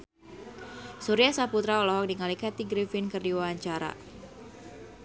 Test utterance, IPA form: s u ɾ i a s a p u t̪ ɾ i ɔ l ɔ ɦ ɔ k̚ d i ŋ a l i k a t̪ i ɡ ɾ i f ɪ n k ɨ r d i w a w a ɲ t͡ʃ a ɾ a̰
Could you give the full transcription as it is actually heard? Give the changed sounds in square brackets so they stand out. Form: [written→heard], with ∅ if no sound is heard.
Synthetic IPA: s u ɾ i a s a p u t̪ ɾ [i→a] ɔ l ɔ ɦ ɔ k̚ d i ŋ a l i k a t̪ i ɡ ɾ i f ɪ n k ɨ r d i w a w a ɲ t͡ʃ a ɾ a̰